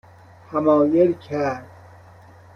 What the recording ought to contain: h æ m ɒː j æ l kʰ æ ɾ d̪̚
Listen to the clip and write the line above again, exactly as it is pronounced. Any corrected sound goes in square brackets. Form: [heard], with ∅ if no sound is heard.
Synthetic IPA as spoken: h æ m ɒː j [e] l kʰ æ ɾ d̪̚